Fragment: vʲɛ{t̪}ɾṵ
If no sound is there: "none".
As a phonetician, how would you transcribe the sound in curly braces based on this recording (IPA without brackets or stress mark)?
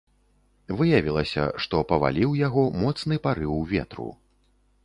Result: t̪